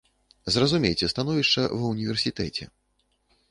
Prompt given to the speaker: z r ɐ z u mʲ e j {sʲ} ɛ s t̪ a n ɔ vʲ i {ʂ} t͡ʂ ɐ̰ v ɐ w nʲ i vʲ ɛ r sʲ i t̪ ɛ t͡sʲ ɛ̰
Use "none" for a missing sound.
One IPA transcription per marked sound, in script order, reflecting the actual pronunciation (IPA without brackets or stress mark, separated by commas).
t͡sʲ, ʂ